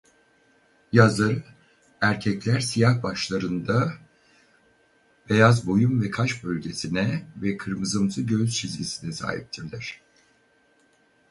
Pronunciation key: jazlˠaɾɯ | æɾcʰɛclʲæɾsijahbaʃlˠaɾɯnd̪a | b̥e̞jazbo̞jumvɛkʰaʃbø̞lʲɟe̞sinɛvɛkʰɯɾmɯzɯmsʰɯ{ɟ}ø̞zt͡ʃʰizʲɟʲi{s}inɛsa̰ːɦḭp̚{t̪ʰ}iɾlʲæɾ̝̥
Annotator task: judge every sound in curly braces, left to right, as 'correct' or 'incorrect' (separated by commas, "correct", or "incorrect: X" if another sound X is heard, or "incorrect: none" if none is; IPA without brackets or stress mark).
correct, correct, correct